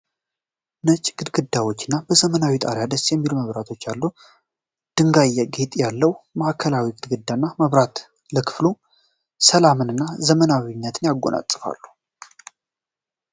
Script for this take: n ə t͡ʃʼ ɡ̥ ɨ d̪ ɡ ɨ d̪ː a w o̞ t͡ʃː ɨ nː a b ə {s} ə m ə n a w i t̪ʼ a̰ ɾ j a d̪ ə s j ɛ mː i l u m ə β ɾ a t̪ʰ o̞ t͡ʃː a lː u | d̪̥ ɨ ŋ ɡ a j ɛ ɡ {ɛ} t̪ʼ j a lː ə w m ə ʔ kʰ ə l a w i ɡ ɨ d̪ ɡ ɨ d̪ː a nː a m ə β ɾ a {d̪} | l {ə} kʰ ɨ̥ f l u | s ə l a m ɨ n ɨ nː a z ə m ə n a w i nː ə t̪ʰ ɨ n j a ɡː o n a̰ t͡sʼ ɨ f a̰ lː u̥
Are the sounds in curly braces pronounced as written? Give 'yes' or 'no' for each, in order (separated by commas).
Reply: no, no, no, yes